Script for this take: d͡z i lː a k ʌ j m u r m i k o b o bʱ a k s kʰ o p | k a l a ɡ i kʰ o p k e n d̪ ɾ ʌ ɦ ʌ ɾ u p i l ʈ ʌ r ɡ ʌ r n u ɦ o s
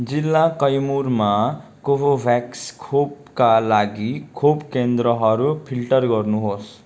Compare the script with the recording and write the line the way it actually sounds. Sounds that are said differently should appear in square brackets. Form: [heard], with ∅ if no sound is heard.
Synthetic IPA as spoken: d͡z i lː a k ʌ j m u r m [a] k o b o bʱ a k s kʰ o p | k a l a ɡ i kʰ o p k e n d̪ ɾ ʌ ɦ ʌ ɾ u [pʰ] i l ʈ ʌ r ɡ ʌ r n u ɦ o s